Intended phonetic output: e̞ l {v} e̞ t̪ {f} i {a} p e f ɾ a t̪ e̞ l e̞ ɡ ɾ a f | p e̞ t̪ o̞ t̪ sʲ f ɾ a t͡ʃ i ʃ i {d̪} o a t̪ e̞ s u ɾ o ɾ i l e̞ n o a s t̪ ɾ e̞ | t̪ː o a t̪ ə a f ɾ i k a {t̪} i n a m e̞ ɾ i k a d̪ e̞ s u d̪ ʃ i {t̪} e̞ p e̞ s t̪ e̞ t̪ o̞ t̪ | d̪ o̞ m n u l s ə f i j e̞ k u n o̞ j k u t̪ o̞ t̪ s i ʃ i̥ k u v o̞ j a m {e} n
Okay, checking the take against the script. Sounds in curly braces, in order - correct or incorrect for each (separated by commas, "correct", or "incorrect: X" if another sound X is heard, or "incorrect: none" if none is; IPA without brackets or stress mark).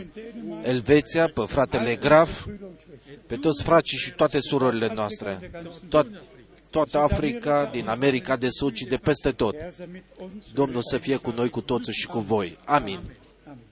correct, incorrect: s, correct, incorrect: t̪, incorrect: d̪, incorrect: d̪, incorrect: i